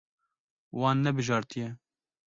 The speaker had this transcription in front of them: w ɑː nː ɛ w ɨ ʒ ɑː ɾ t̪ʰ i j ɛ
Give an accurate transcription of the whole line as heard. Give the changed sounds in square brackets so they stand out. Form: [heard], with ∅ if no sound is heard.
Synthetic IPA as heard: w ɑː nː ɛ [b] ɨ ʒ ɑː ɾ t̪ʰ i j ɛ